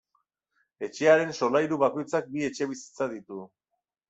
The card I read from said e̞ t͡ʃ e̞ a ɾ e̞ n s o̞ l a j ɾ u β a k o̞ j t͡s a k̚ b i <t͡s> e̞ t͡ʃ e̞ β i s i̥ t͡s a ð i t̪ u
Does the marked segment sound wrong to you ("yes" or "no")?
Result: yes